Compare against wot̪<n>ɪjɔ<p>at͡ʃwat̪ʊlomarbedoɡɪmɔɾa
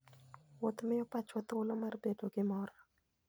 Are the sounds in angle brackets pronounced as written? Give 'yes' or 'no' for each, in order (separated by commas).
no, yes